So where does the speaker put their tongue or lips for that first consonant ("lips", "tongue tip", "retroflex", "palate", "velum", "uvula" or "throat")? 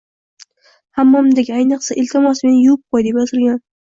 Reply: throat